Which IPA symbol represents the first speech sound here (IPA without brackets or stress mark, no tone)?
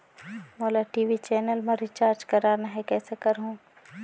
m